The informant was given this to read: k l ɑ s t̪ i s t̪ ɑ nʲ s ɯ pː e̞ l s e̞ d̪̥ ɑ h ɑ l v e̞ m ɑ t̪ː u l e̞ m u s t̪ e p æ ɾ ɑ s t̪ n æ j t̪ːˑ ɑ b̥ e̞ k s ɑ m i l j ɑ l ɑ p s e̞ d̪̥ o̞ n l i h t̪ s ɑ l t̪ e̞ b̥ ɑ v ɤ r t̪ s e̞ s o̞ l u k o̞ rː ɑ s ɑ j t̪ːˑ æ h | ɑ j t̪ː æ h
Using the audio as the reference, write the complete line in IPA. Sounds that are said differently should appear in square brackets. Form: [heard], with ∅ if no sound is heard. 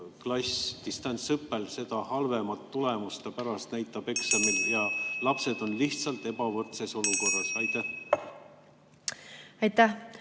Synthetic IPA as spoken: k l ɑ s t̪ i s t̪ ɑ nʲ s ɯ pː e̞ l s e̞ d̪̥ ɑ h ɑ l v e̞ m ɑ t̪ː u l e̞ m u s t̪ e p æ ɾ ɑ s t̪ n æ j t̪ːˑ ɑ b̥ e̞ k s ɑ m i l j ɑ l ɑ p s e̞ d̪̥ o̞ n l i h t̪ s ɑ l t̪ e̞ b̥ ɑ v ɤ r t̪ s e̞ s o̞ l u k o̞ rː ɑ s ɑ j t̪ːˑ æ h | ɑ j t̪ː æ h

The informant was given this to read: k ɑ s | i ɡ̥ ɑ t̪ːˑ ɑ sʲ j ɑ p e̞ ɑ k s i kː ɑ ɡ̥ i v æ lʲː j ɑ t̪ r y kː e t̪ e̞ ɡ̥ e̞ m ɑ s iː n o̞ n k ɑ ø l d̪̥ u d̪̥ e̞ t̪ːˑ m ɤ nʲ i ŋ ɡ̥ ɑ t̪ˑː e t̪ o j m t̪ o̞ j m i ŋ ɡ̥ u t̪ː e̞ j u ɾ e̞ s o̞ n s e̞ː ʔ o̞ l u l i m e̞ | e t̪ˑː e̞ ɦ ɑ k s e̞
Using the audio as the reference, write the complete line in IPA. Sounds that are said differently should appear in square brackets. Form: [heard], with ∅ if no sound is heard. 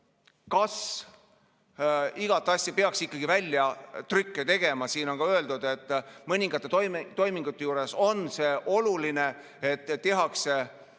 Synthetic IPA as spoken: k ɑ s | i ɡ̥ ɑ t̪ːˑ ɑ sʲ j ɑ p e̞ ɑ k s i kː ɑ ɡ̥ i v æ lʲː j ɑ t̪ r y kː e t̪ e̞ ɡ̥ e̞ m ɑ s iː n o̞ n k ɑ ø l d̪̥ u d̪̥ e̞ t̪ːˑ m ɤ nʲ i ŋ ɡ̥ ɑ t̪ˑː e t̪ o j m t̪ o̞ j m i ŋ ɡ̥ u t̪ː e̞ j [uː] ɾ e̞ s o̞ n s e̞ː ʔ o̞ l u l i [n] e̞ | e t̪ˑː e̞ ɦ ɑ k s e̞

